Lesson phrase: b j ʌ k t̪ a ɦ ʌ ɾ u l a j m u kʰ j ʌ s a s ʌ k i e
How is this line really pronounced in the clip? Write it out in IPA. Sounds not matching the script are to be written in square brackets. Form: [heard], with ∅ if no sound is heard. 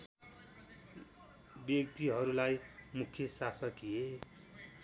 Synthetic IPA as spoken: b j ʌ k t̪ [i] ɦ ʌ ɾ u l a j m u kʰ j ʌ s a s ʌ k i e